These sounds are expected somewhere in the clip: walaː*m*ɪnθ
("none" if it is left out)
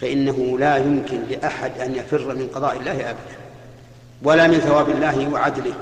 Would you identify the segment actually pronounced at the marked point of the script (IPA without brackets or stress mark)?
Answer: m